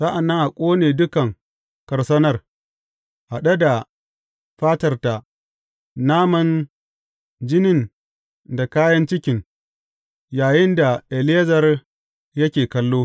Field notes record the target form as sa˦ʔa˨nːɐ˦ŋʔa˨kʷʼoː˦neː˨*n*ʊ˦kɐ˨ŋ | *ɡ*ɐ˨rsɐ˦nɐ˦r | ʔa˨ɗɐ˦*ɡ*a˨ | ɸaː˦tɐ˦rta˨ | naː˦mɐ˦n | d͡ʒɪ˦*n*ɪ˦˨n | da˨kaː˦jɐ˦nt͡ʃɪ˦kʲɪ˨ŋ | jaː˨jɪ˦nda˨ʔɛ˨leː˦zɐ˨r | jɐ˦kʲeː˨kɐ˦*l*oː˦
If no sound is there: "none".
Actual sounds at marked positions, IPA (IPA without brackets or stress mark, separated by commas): d, k, d, n, lː